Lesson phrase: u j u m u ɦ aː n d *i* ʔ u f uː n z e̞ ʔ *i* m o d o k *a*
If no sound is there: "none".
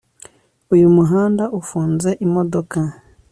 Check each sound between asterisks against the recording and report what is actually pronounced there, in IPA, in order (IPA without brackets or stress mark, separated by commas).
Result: a, i, a